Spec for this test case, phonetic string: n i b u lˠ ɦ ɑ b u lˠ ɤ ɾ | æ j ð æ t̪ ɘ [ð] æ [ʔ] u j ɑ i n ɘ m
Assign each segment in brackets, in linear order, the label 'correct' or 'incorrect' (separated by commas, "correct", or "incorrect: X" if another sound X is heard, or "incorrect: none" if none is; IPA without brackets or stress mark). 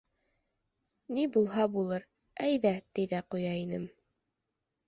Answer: correct, incorrect: q